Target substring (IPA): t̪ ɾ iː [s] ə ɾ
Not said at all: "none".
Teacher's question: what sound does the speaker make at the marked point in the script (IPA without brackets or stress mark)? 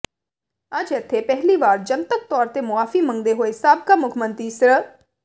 s